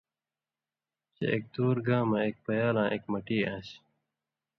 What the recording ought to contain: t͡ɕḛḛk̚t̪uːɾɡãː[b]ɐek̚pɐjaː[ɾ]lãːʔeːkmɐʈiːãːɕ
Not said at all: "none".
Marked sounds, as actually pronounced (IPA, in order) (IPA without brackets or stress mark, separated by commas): m, none